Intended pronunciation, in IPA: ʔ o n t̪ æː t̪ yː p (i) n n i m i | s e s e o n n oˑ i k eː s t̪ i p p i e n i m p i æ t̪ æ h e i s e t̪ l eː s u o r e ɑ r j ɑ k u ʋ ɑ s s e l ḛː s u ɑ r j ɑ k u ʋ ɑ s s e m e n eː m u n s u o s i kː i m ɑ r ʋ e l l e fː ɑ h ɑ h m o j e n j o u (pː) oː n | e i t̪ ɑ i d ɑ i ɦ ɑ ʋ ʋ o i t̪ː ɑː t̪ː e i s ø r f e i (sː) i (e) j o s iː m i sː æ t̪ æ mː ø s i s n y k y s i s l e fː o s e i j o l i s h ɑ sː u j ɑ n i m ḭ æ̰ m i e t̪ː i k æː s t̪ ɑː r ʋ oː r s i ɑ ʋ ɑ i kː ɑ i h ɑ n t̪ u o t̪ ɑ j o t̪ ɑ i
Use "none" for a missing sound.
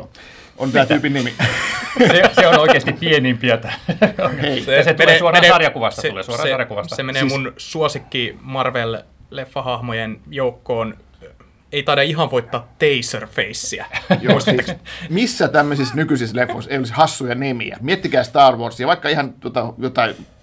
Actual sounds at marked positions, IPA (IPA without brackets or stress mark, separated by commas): i, kː, sː, æ